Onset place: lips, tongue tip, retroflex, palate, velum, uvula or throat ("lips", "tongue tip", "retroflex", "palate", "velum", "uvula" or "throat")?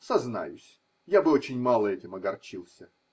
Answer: tongue tip